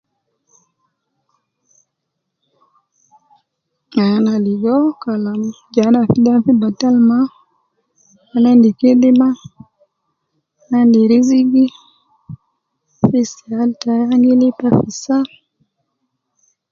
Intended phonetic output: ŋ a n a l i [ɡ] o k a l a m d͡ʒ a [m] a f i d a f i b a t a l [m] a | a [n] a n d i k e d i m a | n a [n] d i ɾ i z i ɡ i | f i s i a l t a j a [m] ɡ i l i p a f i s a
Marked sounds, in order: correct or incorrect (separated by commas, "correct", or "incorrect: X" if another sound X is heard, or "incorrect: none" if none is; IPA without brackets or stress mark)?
correct, incorrect: n, correct, correct, correct, incorrect: ŋ